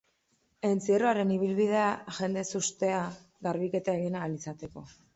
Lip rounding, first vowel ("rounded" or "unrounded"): unrounded